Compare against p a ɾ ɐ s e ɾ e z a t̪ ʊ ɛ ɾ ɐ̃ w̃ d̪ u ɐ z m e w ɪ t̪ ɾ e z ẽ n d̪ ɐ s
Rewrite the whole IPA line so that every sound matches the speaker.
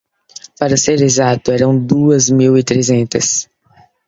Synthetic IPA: p a ɾ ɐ s e ɾ e z a t̪ ʊ ɛ ɾ ɐ̃ w̃ d̪ u ɐ z m i w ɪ t̪ ɾ e z ẽ n t̪ ɐ s